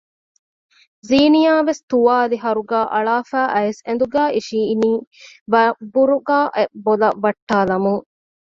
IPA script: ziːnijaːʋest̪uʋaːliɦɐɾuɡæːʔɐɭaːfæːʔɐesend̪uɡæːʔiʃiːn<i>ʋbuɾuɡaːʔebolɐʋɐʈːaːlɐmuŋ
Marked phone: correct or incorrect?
incorrect